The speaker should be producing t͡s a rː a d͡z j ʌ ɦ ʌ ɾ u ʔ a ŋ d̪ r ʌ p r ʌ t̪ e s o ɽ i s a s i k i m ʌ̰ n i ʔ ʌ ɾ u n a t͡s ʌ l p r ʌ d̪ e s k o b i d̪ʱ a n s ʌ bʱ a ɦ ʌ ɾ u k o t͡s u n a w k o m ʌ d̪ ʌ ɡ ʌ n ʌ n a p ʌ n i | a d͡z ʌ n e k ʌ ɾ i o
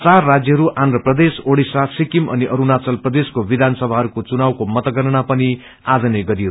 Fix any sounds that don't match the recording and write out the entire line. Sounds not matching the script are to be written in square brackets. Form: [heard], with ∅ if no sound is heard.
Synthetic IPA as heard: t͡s a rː a d͡z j ʌ ɦ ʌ ɾ u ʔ a [n] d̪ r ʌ p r ʌ [d̪] e s o ɽ i s a s i k i m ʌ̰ n i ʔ ʌ ɾ u n a t͡s ʌ l p r ʌ d̪ e s k o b i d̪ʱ a n s ʌ bʱ a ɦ ʌ ɾ u k o t͡s u n a w k o m ʌ [t̪] ʌ ɡ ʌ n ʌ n a p ʌ n i | a d͡z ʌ n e [ɡ] ʌ ɾ i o